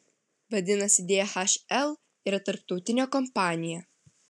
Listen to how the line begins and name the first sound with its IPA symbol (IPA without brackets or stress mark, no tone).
ʋ